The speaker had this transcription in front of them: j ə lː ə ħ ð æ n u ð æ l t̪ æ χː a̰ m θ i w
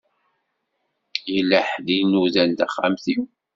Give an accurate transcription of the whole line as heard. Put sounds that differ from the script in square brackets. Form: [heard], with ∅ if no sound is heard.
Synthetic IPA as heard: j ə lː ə ħ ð [i] n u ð æ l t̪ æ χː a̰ m θ i w